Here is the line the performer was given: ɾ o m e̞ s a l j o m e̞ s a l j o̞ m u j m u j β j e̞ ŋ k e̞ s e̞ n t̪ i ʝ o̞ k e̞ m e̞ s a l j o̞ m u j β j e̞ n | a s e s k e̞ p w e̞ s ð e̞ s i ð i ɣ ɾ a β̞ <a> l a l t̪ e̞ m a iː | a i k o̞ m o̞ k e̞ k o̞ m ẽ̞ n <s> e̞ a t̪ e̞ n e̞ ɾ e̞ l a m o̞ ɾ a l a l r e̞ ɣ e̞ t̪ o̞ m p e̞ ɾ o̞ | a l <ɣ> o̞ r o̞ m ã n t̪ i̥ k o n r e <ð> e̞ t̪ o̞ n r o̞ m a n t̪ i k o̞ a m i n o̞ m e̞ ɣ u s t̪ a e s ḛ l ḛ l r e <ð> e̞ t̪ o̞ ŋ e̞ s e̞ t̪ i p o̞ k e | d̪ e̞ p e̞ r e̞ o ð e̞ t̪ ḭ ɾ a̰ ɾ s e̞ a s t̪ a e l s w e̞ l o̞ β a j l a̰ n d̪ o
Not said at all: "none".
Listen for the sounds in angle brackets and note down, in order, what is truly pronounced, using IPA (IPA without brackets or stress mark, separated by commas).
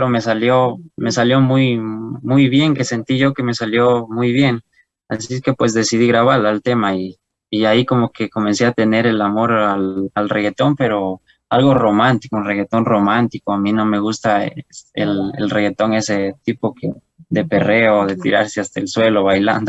a, s, ɣ, ɣ, ɣ